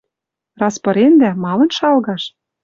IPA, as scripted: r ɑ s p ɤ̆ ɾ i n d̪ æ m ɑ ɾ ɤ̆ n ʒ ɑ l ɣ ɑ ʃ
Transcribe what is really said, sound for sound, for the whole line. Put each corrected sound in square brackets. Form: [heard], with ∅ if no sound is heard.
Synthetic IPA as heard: r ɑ s p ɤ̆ ɾ [e] n d̪ æ m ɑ [l] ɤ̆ n [ʃ] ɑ l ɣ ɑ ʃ